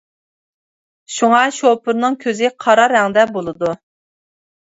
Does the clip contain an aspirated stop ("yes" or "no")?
yes